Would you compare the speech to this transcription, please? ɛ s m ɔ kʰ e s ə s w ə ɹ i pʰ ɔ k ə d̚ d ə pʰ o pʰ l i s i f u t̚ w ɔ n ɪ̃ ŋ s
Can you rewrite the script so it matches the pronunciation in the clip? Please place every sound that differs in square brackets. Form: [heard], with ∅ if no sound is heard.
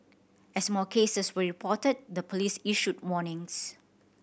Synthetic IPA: ɛ s m ɔ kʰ e s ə s w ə ɹ i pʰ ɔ [t] ə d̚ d ə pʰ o [∅] l i s i [ʃ] u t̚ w ɔ n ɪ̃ ŋ s